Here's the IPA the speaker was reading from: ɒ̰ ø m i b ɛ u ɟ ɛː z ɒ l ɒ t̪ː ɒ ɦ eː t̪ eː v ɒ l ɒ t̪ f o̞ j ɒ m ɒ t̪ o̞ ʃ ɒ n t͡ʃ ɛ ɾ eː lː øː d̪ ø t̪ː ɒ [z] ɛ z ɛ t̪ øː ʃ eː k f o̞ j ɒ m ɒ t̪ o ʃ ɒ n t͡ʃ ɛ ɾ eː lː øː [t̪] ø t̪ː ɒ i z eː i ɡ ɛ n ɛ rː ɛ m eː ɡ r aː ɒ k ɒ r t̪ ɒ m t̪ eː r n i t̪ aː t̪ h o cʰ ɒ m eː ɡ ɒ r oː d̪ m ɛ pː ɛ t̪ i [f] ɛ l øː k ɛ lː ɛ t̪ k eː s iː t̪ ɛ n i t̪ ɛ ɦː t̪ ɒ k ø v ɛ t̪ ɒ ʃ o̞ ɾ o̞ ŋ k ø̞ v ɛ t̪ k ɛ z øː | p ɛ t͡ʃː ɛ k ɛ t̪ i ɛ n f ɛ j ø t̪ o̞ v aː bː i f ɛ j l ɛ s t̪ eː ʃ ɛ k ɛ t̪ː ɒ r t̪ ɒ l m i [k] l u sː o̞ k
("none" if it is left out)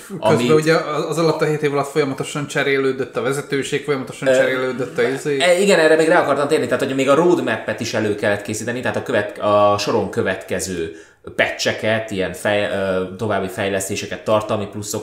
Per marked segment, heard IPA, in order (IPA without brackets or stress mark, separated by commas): v, d̪, ʃ, p